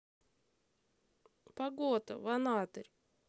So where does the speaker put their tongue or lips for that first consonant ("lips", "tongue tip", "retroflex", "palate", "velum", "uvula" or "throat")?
lips